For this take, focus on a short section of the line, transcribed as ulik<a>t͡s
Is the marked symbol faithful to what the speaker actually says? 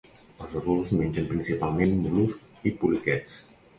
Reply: no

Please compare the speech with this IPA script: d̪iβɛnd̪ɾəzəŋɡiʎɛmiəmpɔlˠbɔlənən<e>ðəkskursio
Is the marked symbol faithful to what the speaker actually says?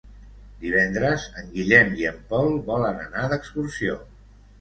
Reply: no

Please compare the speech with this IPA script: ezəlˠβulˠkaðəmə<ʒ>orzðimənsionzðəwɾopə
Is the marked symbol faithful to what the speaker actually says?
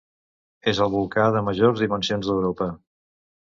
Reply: yes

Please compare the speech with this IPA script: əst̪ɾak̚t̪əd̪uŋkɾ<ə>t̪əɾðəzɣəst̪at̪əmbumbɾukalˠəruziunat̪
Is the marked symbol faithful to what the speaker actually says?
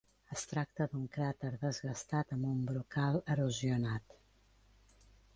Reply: no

